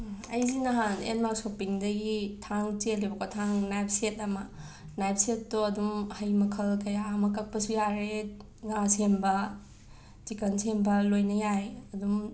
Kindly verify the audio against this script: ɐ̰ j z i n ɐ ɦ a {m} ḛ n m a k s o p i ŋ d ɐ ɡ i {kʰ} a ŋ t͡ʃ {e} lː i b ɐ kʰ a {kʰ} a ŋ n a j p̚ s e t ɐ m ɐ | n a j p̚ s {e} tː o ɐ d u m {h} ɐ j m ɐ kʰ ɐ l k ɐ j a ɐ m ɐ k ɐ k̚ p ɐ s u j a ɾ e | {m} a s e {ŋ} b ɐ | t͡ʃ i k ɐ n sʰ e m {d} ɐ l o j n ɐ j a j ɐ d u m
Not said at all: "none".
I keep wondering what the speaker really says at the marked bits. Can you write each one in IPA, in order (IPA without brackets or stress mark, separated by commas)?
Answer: n, tʰ, e, tʰ, e, h, ŋ, m, b